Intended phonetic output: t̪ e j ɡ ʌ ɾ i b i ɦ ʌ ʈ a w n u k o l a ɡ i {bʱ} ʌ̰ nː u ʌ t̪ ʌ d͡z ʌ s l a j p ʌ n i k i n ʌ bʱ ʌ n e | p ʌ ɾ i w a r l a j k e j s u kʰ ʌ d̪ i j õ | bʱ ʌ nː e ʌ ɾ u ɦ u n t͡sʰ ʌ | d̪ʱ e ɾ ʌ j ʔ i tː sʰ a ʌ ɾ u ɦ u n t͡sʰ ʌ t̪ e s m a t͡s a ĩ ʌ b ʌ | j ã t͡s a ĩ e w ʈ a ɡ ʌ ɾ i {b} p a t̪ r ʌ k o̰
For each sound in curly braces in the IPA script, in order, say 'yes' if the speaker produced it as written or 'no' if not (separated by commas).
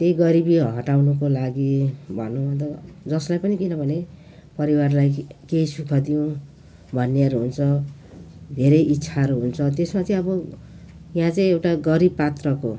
yes, yes